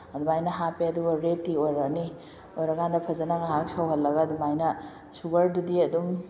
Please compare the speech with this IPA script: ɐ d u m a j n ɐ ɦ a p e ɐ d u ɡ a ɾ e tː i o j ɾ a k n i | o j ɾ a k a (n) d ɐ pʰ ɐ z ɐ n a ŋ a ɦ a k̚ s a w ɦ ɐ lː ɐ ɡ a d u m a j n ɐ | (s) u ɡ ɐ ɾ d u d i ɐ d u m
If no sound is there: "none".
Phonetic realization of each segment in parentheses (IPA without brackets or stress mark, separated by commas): n, s